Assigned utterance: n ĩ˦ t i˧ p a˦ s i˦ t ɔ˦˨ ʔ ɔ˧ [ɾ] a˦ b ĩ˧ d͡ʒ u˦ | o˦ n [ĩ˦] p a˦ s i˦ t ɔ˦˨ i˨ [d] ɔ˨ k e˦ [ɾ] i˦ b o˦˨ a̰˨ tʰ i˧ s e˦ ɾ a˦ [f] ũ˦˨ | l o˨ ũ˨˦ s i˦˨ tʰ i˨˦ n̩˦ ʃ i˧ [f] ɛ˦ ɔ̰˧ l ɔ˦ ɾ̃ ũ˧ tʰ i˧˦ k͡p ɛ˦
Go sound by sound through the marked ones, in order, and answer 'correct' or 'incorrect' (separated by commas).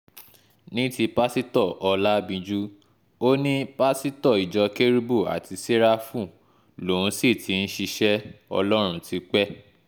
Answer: incorrect, correct, incorrect, correct, correct, incorrect